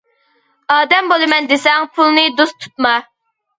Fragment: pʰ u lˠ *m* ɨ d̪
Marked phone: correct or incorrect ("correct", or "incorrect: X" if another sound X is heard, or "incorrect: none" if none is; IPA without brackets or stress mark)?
incorrect: n